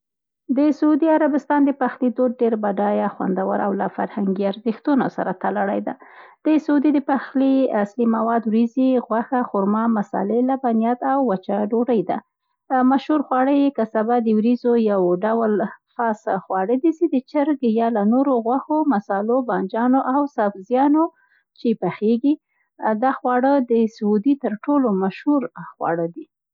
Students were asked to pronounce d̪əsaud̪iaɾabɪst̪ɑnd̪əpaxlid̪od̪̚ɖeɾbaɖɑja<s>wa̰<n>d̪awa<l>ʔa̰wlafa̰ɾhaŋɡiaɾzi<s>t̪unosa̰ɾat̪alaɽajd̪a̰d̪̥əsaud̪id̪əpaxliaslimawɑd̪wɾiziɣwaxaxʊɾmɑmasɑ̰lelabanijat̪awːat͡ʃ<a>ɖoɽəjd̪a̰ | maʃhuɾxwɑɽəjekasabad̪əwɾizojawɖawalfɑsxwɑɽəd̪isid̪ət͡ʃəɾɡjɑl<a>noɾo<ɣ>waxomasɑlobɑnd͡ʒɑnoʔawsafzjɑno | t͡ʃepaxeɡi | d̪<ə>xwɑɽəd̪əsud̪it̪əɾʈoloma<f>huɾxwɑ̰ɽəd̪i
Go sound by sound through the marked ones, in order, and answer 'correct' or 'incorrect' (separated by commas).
incorrect, correct, incorrect, incorrect, correct, correct, correct, incorrect, incorrect